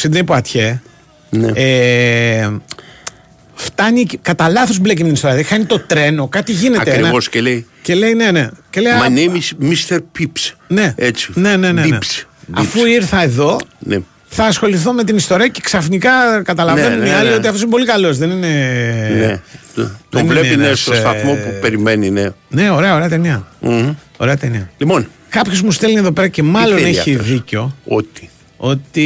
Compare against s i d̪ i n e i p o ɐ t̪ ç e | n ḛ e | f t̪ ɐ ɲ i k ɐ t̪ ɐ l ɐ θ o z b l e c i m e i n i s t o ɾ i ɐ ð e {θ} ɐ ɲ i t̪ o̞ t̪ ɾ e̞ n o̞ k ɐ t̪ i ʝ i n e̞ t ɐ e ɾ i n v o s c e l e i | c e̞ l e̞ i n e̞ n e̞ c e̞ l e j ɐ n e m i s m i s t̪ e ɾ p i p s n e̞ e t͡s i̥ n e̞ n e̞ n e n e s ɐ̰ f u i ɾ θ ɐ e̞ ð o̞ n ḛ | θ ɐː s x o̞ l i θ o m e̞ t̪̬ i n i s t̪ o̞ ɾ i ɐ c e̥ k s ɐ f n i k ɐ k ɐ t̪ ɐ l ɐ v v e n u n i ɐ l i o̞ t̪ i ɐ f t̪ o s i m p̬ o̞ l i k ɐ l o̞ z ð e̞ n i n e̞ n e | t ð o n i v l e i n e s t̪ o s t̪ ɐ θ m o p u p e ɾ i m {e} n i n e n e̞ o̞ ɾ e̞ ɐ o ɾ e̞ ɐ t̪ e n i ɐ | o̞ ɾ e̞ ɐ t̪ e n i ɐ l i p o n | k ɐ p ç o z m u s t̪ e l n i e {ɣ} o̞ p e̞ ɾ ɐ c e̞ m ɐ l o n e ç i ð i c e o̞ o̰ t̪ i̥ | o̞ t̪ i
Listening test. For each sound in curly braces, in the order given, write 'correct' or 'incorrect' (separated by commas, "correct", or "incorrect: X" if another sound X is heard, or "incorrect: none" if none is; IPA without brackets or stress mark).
incorrect: x, correct, incorrect: ð